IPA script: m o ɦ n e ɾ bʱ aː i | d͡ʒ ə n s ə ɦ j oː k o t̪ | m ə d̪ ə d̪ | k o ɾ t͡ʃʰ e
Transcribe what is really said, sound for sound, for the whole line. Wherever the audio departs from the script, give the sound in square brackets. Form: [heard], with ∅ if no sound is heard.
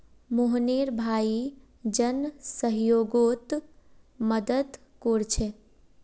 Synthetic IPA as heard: m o ɦ n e ɾ bʱ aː i | d͡ʒ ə n s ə ɦ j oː [ɡ] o t̪ | m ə d̪ ə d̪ | k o ɾ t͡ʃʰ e